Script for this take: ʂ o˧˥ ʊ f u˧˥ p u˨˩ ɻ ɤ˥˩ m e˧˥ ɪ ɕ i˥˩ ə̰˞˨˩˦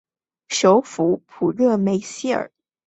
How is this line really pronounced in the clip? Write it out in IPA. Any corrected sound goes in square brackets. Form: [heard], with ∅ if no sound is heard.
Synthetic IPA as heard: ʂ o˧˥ ʊ f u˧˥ [pʰ] u˨˩ ɻ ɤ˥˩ m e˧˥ ɪ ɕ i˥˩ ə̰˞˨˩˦